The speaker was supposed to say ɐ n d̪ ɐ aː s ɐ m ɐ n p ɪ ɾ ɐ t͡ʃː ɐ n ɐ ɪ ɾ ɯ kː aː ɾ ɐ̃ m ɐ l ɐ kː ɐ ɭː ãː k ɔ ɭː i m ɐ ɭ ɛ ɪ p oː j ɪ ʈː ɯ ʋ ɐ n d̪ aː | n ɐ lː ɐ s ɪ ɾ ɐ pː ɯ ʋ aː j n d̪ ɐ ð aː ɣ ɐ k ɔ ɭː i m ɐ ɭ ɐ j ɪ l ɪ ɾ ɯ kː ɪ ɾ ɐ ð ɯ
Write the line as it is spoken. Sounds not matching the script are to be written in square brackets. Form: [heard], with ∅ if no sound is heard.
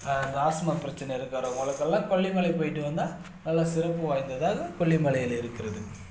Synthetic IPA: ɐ n d̪ ɐ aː s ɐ m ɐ [∅] p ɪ ɾ ɐ t͡ʃː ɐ n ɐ ɪ ɾ ɯ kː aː ɾ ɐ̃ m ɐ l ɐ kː ɐ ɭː ãː k ɔ ɭː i m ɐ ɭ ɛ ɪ p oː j ɪ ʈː ɯ ʋ ɐ n d̪ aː | n ɐ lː ɐ s ɪ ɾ ɐ pː ɯ ʋ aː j n d̪ ɐ ð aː ɣ ɐ k ɔ ɭː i m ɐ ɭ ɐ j ɪ l ɪ ɾ ɯ kː ɪ ɾ ɐ ð ɯ